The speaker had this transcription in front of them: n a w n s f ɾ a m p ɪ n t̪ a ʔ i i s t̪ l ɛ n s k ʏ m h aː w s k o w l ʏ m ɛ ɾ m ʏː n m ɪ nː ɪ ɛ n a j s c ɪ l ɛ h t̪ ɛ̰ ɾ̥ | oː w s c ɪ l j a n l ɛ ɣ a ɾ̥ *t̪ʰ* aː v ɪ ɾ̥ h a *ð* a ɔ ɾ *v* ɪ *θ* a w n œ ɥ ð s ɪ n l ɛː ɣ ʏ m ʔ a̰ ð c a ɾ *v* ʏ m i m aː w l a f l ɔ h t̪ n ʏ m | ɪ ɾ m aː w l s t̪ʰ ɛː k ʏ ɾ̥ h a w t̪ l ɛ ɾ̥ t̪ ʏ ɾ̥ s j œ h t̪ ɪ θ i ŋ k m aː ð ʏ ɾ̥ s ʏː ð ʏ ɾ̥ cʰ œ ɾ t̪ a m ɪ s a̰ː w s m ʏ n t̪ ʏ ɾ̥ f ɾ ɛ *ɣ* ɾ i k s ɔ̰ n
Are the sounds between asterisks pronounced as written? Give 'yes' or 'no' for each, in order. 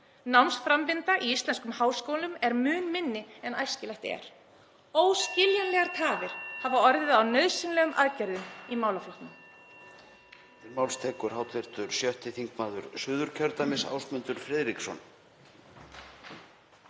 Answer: yes, no, no, no, no, no

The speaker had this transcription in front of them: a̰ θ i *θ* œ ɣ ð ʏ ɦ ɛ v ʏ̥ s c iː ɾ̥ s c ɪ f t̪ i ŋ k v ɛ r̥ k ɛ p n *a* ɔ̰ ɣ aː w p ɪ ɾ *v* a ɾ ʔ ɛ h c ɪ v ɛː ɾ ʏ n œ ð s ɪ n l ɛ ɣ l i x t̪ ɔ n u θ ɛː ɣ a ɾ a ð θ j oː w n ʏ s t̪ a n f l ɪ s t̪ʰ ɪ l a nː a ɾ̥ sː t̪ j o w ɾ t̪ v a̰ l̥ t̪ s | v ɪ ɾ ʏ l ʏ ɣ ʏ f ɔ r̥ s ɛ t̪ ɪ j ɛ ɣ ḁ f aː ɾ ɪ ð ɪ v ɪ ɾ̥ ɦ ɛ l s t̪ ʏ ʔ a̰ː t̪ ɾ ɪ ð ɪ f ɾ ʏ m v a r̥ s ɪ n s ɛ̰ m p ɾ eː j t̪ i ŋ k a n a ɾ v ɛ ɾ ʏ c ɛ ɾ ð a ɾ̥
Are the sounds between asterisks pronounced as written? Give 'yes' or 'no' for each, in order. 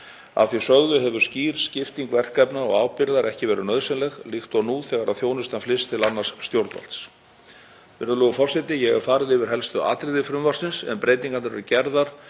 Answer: no, yes, no

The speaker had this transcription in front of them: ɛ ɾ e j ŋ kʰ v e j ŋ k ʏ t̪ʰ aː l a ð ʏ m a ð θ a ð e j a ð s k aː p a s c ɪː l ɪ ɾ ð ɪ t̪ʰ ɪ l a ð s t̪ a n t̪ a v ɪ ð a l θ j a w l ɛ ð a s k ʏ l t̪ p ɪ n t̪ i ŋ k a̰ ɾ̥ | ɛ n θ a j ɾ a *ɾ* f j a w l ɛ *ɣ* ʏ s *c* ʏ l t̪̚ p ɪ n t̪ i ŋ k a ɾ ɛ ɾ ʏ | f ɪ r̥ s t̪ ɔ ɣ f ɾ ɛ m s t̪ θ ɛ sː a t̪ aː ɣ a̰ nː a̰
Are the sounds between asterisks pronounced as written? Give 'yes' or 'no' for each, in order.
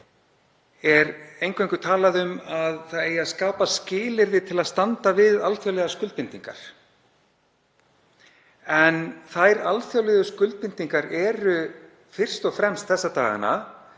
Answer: no, no, no

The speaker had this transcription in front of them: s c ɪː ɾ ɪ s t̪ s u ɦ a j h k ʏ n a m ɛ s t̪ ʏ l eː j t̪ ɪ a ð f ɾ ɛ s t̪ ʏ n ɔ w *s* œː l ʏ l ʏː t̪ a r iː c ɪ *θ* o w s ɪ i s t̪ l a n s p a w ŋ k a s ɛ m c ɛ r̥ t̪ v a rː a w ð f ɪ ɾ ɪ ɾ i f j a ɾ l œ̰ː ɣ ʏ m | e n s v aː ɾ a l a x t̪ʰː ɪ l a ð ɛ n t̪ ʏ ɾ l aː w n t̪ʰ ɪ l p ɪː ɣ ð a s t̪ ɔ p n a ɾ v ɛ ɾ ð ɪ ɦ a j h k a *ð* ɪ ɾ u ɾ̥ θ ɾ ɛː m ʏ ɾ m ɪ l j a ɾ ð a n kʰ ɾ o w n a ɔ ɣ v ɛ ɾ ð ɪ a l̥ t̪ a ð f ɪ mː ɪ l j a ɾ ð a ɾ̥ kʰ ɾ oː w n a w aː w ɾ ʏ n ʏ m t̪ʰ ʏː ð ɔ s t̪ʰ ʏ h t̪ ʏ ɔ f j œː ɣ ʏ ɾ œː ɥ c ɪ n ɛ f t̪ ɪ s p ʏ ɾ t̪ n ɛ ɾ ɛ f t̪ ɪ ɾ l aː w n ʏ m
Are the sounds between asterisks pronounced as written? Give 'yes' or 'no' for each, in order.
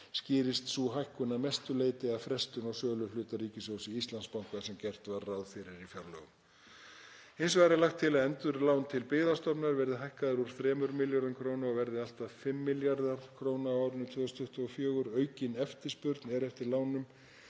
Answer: yes, no, yes

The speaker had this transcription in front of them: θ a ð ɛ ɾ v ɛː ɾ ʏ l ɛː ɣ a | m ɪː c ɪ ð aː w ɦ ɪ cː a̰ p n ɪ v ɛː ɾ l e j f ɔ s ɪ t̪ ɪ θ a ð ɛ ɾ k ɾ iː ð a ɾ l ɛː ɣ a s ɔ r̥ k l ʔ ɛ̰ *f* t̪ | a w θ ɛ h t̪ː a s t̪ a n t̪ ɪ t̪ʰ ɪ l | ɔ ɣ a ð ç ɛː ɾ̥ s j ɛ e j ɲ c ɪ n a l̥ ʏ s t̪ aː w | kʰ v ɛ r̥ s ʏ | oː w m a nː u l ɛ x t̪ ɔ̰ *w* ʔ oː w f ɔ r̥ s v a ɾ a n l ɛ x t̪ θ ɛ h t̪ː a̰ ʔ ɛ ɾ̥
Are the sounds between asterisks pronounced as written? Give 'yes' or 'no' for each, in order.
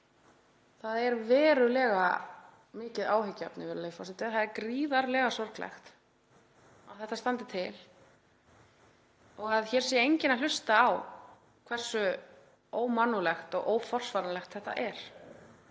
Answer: no, no

